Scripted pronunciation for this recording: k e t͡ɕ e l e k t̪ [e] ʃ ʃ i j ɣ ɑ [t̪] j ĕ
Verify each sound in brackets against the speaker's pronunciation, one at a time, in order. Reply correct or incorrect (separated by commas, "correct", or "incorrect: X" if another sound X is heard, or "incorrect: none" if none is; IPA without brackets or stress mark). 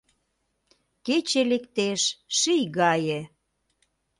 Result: correct, incorrect: none